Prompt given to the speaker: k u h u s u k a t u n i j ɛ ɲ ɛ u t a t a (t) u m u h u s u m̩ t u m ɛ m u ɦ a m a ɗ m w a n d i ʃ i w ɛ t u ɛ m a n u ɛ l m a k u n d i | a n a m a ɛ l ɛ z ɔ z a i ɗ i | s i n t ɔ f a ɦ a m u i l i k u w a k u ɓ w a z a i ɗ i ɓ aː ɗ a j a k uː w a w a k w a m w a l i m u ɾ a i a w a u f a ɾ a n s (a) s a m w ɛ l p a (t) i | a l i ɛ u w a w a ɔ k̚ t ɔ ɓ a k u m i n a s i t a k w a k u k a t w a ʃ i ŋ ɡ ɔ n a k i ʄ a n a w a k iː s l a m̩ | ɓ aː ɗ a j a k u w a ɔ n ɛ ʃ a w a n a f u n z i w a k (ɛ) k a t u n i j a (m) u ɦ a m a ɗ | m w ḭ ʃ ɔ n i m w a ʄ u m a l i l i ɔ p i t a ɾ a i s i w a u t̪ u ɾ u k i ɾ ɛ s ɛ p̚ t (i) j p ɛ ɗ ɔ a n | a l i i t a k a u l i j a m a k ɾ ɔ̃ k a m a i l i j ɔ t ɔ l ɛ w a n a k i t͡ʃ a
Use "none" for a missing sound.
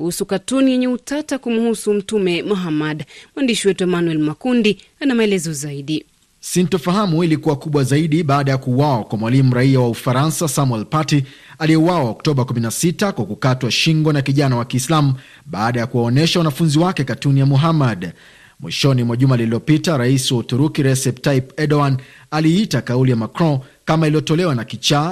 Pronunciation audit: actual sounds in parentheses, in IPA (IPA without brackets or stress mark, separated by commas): k, a, t, ɛ, m, a